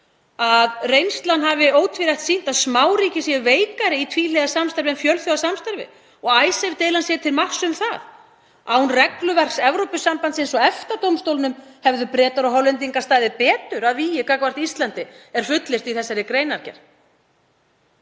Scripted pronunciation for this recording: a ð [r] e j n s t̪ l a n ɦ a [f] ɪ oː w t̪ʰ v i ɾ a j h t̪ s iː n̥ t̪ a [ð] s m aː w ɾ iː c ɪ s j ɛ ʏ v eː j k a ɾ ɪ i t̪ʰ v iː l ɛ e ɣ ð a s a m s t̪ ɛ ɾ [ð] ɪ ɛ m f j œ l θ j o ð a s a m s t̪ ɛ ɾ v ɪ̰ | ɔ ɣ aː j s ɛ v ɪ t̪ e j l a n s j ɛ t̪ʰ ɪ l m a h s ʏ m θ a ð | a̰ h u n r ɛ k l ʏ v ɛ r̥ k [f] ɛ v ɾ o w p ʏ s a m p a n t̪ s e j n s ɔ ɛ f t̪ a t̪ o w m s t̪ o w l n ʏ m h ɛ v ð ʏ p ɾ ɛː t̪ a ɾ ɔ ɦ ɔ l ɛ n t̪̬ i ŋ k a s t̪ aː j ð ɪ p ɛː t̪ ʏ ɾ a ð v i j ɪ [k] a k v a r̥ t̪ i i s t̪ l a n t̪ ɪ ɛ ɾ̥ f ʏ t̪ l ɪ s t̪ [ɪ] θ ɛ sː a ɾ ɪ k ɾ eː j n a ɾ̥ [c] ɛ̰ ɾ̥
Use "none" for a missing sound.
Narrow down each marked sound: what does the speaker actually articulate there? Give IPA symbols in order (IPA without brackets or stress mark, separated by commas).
r, v, ð, v, s, k, i, c